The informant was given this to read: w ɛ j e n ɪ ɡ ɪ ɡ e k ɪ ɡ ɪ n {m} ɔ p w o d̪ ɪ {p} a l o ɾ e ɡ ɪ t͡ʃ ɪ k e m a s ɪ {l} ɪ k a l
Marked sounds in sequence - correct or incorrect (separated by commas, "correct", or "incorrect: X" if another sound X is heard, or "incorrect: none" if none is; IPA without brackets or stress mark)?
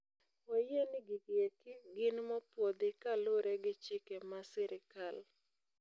correct, incorrect: k, incorrect: ɾ